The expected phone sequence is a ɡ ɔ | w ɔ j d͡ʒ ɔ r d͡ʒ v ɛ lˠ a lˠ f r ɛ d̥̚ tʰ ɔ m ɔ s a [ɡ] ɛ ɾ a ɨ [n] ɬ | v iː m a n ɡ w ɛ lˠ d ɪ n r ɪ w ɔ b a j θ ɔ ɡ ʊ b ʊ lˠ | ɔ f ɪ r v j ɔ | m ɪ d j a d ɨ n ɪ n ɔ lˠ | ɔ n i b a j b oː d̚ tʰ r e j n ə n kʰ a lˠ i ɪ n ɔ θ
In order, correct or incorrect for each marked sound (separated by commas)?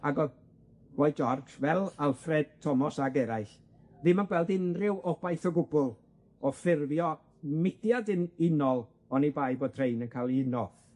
correct, incorrect